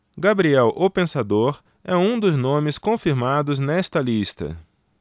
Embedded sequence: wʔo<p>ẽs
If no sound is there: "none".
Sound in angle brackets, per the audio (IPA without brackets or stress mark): p